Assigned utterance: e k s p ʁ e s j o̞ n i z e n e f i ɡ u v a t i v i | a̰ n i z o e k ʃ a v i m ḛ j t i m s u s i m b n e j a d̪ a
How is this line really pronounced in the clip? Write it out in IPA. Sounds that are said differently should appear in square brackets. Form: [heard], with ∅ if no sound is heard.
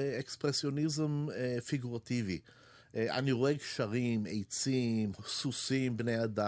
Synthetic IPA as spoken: e k s p ʁ e s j o̞ n i z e [m] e f i ɡ u [ʁ] a t i v i | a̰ n i [ʁ] o e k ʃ a [ʁ] i m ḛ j [t͡s] i m s u s i m b n e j a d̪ a